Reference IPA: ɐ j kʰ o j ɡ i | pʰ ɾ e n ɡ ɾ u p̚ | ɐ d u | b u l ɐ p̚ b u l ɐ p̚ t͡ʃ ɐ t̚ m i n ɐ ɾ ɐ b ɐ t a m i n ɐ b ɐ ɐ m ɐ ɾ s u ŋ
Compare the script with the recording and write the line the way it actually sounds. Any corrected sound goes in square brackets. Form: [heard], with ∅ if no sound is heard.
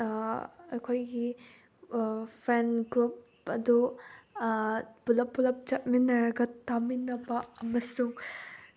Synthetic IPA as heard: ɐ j kʰ o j ɡ i | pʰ ɾ e n ɡ ɾ u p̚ | ɐ d u | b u l ɐ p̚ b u l ɐ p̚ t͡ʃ ɐ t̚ m i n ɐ ɾ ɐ [ɡ] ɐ t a m i n ɐ b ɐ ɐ m ɐ [∅] s u ŋ

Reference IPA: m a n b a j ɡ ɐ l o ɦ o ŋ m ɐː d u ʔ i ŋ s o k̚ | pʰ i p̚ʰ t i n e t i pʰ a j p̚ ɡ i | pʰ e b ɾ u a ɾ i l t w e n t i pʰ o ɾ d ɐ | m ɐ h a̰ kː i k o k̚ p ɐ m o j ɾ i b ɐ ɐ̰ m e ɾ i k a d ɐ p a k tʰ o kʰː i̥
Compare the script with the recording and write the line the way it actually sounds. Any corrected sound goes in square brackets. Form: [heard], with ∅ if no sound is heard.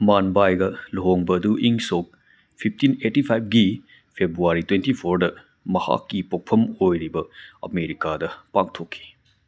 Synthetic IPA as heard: m a n b a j ɡ ɐ l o ɦ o ŋ [b] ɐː d u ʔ i ŋ s o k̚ | pʰ i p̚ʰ t i n e t i pʰ a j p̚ ɡ i | pʰ e b ɾ u a ɾ i [∅] t w e n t i pʰ o ɾ d ɐ | m ɐ h a̰ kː i [p] o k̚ [pʰ] ɐ m o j ɾ i b ɐ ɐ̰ m e ɾ i k a d ɐ p a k tʰ o kʰː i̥

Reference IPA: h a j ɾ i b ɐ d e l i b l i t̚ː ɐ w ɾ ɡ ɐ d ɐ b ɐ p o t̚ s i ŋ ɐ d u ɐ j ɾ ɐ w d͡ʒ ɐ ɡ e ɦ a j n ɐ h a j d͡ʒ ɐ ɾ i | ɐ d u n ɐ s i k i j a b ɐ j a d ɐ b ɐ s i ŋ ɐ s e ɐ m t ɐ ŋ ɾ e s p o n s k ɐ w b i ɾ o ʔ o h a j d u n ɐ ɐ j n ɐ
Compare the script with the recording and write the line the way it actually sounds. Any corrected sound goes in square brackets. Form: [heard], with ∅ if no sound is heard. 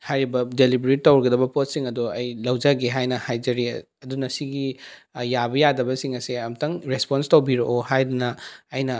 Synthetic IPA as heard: h a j ɾ i b ɐ d e l i b [ɾ] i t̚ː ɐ w ɾ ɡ ɐ d ɐ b ɐ p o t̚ s i ŋ ɐ d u ɐ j [l] ɐ w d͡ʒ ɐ ɡ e ɦ a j n ɐ h a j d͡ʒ ɐ ɾ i | ɐ d u n ɐ s i [ɡ] i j a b ɐ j a d ɐ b ɐ s i ŋ ɐ s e ɐ m t ɐ ŋ ɾ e s p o n s [t] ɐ w b i ɾ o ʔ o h a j d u n ɐ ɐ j n ɐ

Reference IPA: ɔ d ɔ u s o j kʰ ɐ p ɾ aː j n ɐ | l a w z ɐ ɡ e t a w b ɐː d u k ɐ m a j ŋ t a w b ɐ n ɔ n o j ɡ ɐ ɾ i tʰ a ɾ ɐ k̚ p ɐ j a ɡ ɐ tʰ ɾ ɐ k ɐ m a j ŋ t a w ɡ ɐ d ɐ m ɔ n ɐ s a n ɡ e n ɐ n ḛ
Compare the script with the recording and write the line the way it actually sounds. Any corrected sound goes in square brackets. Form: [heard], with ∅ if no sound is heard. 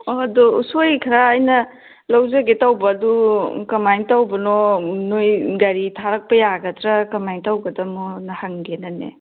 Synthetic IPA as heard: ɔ d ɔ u s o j kʰ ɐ [∅] ɾ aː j n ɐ | l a w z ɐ ɡ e t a w b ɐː d u k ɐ m a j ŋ t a w b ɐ n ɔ n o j ɡ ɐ ɾ i tʰ a ɾ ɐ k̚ p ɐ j a ɡ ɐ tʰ ɾ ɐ k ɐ m a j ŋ t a w ɡ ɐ d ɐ m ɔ n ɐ [h] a [ŋ] ɡ e n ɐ n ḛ

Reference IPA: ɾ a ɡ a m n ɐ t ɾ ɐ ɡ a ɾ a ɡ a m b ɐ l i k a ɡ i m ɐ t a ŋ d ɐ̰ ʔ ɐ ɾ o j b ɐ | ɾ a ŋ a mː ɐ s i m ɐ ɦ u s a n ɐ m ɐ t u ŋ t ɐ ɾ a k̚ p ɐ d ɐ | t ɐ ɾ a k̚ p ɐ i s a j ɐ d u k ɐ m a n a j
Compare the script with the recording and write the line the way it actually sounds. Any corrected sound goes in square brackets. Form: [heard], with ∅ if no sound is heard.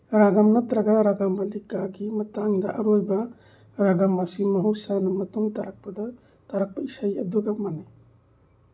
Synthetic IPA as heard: ɾ a ɡ a m n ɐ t ɾ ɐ ɡ a ɾ a ɡ a m b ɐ l i k a ɡ i m ɐ t a ŋ d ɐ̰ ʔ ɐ ɾ o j b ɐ | ɾ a [ɡ] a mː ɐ s i m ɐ ɦ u s a n ɐ m ɐ t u ŋ t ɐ ɾ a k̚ p ɐ d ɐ | t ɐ ɾ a k̚ p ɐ i s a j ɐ d u [ɡ] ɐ m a n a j

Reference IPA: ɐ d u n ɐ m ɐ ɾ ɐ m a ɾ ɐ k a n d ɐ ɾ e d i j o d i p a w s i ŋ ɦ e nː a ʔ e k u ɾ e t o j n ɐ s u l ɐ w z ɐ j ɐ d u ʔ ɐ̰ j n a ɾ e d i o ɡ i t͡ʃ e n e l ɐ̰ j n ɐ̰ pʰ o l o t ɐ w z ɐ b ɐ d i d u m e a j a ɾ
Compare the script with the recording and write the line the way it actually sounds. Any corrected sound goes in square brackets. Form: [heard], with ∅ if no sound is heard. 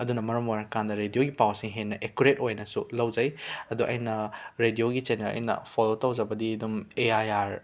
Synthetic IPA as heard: ɐ d u n ɐ m ɐ ɾ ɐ m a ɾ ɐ k a n d ɐ ɾ e d i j o [ɡ] i p a w s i ŋ ɦ e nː [ɐ] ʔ e k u ɾ e t o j n ɐ s u l ɐ w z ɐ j ɐ d u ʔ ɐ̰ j n [ɐ] ɾ e d i o ɡ i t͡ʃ e n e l ɐ̰ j n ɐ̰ pʰ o l o t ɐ w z ɐ b ɐ d i d u m e a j a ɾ

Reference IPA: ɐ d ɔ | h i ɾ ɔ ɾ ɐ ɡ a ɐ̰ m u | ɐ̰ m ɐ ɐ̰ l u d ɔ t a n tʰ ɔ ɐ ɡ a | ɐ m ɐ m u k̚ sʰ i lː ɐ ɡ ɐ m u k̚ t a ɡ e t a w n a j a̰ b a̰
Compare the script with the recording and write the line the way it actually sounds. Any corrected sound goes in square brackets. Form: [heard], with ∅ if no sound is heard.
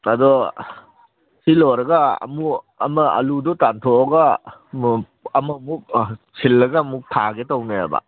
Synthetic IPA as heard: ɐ d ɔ | [s] i [l] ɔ ɾ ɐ ɡ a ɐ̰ m u | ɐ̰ m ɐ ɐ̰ l u d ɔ t a n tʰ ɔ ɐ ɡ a | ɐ m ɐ m u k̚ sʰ i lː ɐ ɡ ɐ m u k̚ [tʰ] a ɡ e t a w n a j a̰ b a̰

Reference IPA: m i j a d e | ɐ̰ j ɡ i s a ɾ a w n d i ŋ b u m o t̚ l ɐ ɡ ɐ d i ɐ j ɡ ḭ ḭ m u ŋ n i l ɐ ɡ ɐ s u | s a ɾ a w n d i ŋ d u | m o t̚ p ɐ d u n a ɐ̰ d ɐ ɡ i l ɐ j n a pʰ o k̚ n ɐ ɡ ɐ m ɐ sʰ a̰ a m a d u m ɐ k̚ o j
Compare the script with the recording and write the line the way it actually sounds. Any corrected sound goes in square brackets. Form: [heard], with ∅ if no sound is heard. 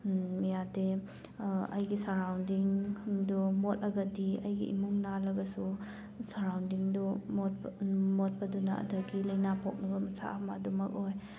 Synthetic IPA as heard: m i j a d e | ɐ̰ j ɡ i s a ɾ a w n d i ŋ [d] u m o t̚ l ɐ ɡ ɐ d i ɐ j ɡ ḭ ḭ m u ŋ n [a] l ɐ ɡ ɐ s u | s a ɾ a w n d i ŋ d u | m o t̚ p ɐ d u n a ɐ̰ d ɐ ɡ i l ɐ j n a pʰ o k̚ n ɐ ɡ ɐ m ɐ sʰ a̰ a m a d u m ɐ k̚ o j

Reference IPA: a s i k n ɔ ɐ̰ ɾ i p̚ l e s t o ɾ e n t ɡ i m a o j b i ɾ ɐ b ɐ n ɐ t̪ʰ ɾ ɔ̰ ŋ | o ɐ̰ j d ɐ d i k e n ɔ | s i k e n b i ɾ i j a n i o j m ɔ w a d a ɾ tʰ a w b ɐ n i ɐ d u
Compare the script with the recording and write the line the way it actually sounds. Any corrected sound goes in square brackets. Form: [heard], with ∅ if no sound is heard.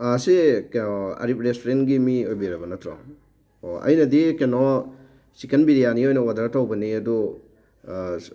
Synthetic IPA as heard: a s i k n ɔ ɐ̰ ɾ i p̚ [ɾ] e s t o ɾ e n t ɡ i m [i] o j b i ɾ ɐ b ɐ n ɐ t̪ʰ ɾ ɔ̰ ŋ | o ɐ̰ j [n] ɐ d i k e n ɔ | s i k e n b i ɾ i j a n i o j [n] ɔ w a d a ɾ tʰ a w b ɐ n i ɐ d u

